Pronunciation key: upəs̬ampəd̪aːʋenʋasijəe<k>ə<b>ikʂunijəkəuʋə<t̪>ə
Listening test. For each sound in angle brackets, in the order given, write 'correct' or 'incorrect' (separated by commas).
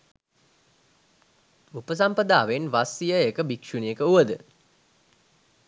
correct, correct, incorrect